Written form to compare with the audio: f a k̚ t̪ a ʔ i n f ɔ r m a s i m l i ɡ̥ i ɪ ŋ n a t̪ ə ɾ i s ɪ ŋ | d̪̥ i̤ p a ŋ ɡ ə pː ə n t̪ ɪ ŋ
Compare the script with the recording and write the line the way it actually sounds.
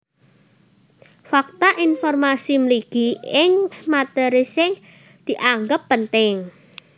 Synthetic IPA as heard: f a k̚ t̪ a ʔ i n f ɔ r m a s i m l i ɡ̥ i ɪ ŋ m a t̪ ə ɾ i s ɪ ŋ | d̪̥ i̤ ʔ a ŋ ɡ ə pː ə n t̪ ɪ ŋ